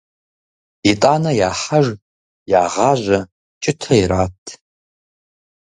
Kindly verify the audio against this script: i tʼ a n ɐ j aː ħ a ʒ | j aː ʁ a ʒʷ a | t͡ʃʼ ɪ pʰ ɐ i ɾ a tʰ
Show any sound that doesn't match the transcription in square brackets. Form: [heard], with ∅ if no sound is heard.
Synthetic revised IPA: i tʼ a n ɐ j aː ħ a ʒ | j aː ʁ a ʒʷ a | t͡ʃʼ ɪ [tʰ] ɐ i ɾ a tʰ